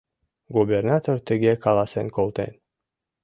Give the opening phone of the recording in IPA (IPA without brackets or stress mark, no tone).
ɡ